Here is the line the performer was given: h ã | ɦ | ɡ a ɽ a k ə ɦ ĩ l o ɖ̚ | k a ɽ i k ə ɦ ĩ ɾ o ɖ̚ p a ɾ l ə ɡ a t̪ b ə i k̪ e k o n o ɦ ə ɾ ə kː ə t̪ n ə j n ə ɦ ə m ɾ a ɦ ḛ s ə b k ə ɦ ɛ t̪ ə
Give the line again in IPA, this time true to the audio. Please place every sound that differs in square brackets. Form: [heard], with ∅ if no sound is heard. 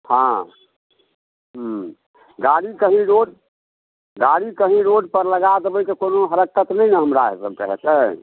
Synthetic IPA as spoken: h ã | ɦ | ɡ a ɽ [i] k ə ɦ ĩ [ɾ] o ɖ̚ | [ɡ] a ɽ i k ə ɦ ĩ ɾ o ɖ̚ p [ə] ɾ l ə ɡ a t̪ b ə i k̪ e k o n o ɦ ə ɾ ə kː ə t̪ n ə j n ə ɦ ə m ɾ a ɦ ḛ s ə b k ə ɦ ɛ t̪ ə